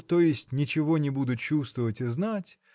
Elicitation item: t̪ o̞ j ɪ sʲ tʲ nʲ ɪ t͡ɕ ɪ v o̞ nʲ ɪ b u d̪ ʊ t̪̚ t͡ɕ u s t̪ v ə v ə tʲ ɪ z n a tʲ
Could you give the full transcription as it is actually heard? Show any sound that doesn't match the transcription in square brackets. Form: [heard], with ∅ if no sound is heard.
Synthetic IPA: t̪ o̞ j ɪ sʲ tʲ nʲ ɪ t͡ɕ ɪ v o̞ nʲ ɪ b u d̪ ʊ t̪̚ t͡ɕ u s t̪ v ə v ə tʲ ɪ z n a tʲ